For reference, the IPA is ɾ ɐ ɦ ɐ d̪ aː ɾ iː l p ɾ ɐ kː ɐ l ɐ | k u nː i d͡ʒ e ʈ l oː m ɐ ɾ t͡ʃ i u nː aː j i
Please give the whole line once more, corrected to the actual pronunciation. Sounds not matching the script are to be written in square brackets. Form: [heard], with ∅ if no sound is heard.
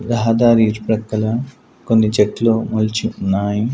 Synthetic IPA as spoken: ɾ ɐ ɦ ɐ d̪ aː ɾ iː [ɾ] p ɾ ɐ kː ɐ l ɐ | k [o] nː i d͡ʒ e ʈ l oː m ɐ [l] t͡ʃ i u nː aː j i